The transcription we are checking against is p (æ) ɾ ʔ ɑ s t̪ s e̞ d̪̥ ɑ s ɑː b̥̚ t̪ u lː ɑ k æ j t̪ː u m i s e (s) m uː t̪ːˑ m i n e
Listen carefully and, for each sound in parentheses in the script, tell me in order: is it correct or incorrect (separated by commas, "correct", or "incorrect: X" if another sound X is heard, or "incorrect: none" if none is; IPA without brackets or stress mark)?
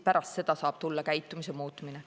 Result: correct, incorrect: none